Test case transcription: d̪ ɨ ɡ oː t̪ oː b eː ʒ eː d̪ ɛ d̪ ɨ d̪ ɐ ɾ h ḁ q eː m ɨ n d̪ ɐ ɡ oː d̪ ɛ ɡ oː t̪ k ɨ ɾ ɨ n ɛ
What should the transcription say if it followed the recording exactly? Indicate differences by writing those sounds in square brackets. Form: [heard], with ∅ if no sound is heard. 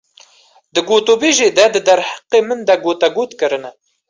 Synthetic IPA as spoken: d̪ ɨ ɡ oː t̪ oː b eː ʒ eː d̪ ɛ d̪ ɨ d̪ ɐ ɾ h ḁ q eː m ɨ n d̪ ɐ ɡ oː [t̪] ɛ ɡ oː t̪ k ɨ ɾ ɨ n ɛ

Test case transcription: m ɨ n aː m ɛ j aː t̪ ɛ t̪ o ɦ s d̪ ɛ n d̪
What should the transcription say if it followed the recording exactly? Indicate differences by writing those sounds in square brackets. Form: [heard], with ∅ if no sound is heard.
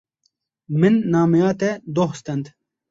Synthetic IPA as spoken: m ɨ [nː] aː m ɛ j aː t̪ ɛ [d̪] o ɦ s [t̪] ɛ n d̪

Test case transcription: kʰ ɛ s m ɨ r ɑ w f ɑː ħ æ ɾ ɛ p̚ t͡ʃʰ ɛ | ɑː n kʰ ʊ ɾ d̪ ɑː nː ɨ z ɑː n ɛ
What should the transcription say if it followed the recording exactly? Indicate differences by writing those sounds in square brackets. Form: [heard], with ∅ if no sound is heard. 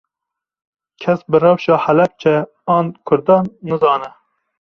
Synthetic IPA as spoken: kʰ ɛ s [b] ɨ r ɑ w [ʃ] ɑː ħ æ [l] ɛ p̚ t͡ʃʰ ɛ | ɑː n kʰ ʊ ɾ d̪ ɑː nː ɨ z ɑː n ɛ

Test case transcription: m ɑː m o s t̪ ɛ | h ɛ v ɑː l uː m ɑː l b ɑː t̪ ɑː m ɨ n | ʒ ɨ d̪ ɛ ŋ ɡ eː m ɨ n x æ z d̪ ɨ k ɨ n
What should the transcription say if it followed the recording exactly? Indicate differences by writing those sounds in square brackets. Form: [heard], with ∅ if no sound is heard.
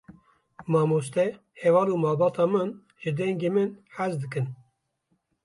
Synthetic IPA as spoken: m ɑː m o s t̪ ɛ | h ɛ v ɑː l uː m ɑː l b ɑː t̪ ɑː m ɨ n | ʒ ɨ d̪ ɛ ŋ ɡ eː m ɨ n [ħ] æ z d̪ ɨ k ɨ n

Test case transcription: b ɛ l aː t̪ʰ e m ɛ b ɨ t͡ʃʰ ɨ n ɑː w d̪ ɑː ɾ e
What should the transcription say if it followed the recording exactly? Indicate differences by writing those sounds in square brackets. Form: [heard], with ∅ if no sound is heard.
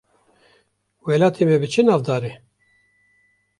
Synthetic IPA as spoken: [w] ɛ l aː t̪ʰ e m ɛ b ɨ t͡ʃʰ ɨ n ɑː [v] d̪ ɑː ɾ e

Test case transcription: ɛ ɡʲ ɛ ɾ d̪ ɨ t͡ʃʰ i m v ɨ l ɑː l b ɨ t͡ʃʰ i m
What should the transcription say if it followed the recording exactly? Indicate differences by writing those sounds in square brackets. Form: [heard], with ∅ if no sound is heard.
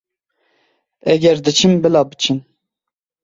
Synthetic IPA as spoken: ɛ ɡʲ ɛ ɾ d̪ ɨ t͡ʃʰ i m [b] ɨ l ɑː [∅] b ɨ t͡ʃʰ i [n]

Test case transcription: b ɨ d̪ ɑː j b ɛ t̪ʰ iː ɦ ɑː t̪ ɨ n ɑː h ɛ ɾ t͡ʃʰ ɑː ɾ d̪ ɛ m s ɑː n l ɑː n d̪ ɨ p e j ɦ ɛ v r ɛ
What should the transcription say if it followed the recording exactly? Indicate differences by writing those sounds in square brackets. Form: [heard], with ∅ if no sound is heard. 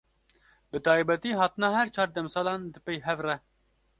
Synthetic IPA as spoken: b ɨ [t̪] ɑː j b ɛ [t̪] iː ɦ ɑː t̪ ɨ n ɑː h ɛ ɾ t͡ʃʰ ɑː ɾ d̪ ɛ m s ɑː [∅] l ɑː n d̪ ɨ p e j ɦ ɛ v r ɛ

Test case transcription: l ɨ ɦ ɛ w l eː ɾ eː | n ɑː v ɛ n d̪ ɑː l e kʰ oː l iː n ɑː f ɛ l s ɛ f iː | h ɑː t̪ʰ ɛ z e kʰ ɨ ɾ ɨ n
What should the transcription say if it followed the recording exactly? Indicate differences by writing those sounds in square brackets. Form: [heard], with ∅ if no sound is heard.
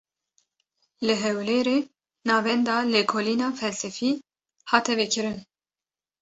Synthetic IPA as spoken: l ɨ ɦ ɛ w l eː ɾ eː | n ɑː v ɛ n d̪ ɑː l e kʰ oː l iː n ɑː f ɛ l s ɛ f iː | h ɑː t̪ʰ ɛ [v] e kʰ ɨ ɾ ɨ n

